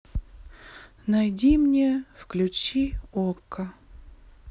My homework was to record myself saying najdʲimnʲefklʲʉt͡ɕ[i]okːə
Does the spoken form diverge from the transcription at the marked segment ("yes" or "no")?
no